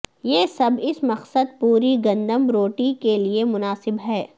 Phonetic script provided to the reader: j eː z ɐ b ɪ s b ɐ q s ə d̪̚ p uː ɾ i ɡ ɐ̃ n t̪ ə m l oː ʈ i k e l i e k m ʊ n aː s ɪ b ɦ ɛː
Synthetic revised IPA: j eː s ɐ b ɪ s m ɐ q s ə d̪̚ p uː ɾ i ɡ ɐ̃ n d̪ ə m ɾ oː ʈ i k e l i e m ʊ n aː s ɪ b ɦ ɛː